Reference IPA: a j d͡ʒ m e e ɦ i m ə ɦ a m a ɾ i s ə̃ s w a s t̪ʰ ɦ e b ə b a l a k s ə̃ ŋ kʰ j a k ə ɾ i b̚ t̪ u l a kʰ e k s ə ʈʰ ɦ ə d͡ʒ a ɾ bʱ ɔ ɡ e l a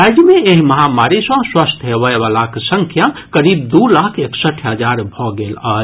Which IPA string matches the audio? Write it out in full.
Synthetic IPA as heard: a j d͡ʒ m e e ɦ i m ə ɦ a m a ɾ i s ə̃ s w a s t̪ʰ ɦ e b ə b a l a k s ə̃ ŋ kʰ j a k ə ɾ i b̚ d̪ u l a kʰ e k s ə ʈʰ ɦ ə d͡ʒ a ɾ bʱ ɔ ɡ e l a